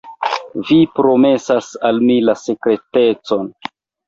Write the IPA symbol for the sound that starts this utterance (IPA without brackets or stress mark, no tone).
v